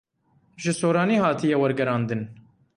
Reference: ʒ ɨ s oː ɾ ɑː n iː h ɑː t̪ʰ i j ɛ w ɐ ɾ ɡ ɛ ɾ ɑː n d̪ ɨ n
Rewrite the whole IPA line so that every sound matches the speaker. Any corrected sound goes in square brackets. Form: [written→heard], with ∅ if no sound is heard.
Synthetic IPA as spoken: ʒ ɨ s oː ɾ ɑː n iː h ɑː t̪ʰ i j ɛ w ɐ ɾ ɡ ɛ ɾ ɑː n d̪ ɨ n

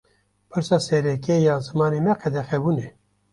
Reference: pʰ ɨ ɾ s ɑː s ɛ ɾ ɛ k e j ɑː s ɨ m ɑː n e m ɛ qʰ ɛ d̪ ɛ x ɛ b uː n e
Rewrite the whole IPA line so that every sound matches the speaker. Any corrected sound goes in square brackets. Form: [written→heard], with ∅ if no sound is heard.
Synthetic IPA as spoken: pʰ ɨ ɾ s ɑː s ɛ ɾ ɛ k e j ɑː [s→z] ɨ m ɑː n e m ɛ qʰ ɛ d̪ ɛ x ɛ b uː n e

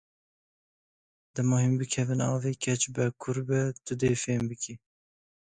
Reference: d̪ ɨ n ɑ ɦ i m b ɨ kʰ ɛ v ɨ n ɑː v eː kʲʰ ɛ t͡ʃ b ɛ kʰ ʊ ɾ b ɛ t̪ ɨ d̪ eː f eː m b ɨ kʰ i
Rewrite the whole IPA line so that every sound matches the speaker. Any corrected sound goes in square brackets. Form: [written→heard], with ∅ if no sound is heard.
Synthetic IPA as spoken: d̪ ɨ [n→m] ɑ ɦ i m b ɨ kʰ ɛ v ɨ n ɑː v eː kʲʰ ɛ t͡ʃ b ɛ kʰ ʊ ɾ b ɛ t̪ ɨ d̪ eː f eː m b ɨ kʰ i

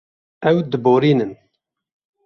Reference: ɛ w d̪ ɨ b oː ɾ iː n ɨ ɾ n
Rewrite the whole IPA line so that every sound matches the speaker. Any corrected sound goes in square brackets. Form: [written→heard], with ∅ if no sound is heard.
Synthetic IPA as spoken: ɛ w d̪ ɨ b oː ɾ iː n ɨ [ɾ→∅] n

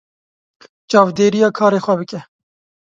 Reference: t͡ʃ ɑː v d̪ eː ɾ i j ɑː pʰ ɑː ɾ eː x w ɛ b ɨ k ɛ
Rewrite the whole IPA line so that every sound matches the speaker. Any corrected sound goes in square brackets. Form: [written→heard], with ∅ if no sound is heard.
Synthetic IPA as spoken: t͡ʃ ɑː v d̪ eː ɾ i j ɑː [pʰ→kʰ] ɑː ɾ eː x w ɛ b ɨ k ɛ

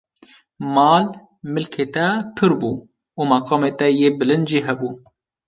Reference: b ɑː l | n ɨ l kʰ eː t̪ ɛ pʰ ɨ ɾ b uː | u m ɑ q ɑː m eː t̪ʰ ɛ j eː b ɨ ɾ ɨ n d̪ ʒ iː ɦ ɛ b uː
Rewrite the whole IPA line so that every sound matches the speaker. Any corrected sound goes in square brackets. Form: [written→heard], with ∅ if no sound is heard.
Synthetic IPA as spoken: [b→m] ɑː l | [n→m] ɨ l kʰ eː t̪ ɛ pʰ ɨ ɾ b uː | u m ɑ q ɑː m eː [t̪ʰ→t̪] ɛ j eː b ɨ [ɾ→l] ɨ n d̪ ʒ iː ɦ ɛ b uː

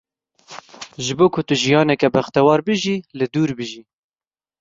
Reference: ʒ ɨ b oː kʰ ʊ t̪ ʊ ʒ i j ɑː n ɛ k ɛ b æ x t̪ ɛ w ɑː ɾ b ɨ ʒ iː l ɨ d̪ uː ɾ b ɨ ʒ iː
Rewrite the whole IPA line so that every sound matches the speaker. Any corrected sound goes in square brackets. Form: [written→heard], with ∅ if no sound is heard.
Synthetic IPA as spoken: ʒ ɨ b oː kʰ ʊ t̪ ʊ ʒ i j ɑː n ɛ k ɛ b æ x t̪ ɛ w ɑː ɾ b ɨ ʒ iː l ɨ d̪ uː ɾ b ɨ ʒ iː

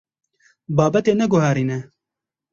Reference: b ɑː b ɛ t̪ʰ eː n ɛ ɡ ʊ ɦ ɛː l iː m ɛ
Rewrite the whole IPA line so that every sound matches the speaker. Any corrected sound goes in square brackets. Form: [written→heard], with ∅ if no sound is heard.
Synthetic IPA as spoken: b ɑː b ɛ [t̪ʰ→t̪] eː n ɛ ɡ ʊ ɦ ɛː [l→ɾ] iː [m→n] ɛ

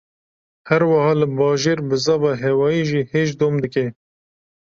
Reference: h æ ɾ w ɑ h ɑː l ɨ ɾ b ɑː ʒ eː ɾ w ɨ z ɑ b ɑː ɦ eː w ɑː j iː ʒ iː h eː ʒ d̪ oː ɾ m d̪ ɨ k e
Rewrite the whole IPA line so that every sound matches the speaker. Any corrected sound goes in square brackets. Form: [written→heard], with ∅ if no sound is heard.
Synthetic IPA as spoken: h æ ɾ w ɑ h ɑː l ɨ [ɾ→∅] b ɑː ʒ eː ɾ [w→b] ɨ z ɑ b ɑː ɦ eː w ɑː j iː ʒ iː h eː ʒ d̪ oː [ɾ→∅] m d̪ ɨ k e

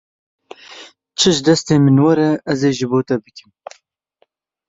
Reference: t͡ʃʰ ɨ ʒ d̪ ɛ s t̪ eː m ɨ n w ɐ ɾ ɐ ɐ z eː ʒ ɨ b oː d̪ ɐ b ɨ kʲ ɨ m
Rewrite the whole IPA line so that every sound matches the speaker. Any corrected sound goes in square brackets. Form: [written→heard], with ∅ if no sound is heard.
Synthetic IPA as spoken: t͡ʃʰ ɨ ʒ d̪ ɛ s t̪ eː m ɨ n w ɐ ɾ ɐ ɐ z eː ʒ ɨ b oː [d̪→t̪] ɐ b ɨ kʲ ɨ m

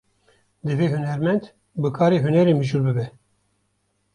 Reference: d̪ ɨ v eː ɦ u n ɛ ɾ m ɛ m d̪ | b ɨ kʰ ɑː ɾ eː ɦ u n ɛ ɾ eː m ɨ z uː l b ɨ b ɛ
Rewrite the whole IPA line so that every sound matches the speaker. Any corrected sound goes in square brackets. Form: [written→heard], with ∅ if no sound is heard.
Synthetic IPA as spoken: d̪ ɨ v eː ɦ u n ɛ ɾ m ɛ [m→n] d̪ | b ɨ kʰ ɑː ɾ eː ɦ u n ɛ ɾ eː m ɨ [z→ʒ] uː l b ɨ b ɛ

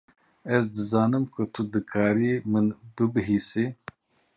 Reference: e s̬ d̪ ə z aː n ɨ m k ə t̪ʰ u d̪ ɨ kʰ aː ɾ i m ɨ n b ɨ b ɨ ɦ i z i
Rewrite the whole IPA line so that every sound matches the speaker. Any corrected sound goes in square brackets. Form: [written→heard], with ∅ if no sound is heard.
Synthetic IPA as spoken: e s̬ d̪ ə z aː n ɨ m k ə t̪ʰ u d̪ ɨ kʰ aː ɾ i m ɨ n b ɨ b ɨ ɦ i [z→s] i

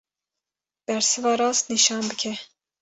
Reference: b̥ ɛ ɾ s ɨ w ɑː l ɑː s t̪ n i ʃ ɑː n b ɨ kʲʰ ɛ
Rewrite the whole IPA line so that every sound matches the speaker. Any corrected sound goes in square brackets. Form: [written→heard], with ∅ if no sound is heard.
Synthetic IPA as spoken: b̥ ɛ ɾ s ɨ [w→v] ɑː [l→ɾ] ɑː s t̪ n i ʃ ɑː n b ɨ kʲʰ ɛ

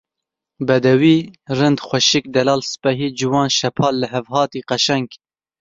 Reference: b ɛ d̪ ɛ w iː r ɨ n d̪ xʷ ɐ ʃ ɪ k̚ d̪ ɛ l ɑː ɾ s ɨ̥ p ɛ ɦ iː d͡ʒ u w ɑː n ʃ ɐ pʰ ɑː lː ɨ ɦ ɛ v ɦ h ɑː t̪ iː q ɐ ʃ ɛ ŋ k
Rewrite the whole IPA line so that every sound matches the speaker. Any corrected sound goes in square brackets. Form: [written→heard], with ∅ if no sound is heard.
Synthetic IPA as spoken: b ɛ d̪ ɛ w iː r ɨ n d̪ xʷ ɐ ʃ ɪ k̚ d̪ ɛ l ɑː [ɾ→l] s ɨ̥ p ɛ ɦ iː d͡ʒ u w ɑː n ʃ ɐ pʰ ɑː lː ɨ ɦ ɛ v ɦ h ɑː t̪ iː q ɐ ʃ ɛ ŋ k

